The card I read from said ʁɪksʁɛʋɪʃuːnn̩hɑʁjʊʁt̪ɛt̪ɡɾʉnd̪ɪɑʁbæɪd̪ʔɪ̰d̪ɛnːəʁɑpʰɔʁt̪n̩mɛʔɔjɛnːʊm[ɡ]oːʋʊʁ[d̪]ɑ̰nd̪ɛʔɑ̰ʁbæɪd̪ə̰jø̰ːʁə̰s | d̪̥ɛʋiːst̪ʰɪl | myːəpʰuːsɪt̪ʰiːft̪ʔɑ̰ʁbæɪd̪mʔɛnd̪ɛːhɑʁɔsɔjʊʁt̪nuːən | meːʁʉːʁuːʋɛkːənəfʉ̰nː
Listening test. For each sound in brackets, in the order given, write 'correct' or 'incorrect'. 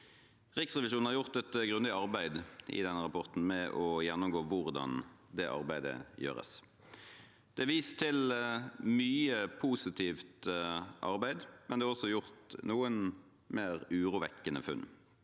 correct, correct

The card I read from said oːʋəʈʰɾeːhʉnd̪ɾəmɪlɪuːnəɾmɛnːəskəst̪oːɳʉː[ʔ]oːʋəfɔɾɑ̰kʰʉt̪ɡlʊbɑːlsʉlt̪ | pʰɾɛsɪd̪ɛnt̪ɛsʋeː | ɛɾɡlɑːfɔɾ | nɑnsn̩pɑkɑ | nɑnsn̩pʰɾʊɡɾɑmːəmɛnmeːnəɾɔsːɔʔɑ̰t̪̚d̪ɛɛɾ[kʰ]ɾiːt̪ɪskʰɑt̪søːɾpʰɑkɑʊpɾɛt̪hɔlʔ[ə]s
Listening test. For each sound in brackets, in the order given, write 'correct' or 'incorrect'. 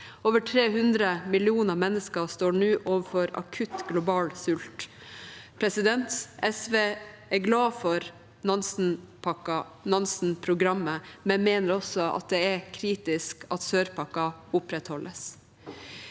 correct, correct, correct

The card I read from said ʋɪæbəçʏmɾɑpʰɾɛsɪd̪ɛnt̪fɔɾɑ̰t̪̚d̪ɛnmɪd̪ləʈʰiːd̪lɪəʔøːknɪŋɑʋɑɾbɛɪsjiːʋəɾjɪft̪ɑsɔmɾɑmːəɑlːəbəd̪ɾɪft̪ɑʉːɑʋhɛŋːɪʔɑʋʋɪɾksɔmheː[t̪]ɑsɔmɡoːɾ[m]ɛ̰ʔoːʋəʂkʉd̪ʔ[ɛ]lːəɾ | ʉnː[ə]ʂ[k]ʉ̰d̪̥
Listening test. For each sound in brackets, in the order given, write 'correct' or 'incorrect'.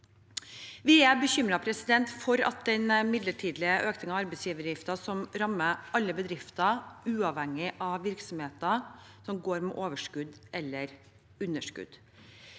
correct, correct, correct, correct, correct

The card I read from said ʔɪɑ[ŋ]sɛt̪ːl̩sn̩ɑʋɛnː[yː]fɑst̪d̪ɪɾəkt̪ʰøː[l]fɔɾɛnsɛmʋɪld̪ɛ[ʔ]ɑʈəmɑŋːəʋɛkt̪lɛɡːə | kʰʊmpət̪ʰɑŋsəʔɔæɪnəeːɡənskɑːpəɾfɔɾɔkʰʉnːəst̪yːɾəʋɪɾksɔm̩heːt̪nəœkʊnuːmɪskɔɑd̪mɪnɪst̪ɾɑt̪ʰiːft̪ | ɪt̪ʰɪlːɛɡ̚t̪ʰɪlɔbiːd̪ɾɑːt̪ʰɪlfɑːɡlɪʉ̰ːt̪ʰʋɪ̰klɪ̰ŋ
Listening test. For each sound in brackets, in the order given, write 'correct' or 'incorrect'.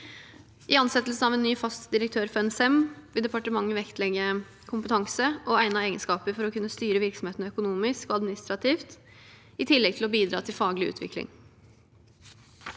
incorrect: n, correct, incorrect: ɾ, incorrect: p

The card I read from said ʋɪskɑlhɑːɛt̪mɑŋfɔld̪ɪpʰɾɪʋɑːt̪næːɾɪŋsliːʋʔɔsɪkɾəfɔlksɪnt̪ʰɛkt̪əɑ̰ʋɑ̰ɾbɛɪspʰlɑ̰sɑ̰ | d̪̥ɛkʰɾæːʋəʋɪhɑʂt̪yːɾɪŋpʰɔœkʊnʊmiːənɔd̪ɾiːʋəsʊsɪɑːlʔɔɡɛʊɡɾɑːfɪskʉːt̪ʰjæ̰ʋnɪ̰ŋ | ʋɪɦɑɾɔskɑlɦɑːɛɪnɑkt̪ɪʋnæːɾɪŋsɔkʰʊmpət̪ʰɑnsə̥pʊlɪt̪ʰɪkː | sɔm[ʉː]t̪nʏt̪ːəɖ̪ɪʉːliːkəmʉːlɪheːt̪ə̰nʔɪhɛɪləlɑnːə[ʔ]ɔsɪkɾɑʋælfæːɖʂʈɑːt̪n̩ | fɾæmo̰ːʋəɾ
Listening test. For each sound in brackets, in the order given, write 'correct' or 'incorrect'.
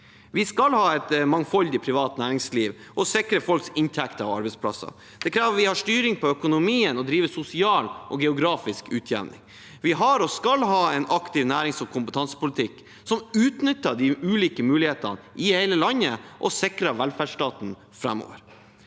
correct, correct

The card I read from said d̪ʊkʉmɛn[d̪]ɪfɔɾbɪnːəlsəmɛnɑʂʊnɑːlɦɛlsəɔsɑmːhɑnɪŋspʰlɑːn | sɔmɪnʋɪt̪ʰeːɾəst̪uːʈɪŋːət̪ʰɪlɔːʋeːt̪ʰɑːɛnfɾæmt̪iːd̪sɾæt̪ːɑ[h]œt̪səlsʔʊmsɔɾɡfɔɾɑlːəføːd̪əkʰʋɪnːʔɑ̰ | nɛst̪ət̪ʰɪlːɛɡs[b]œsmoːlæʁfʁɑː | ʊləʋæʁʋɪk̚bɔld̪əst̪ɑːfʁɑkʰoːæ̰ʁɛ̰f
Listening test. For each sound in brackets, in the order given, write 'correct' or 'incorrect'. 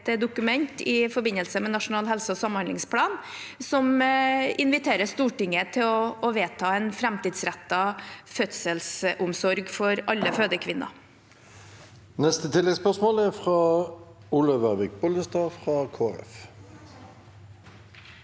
incorrect: t̪, incorrect: f, incorrect: p

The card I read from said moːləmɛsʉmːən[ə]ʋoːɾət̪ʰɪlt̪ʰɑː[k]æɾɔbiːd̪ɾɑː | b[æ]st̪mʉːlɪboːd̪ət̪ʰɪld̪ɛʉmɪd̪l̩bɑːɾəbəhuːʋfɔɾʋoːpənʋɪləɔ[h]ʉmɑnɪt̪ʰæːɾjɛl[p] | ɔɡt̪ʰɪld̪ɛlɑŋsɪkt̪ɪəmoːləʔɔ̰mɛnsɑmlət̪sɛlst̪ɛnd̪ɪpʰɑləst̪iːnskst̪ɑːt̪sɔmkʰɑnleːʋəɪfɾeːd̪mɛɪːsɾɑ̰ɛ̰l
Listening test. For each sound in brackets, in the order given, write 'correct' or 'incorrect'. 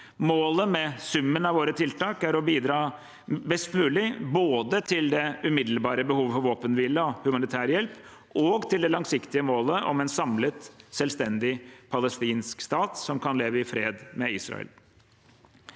incorrect: ɑ, correct, incorrect: ɛ, correct, correct

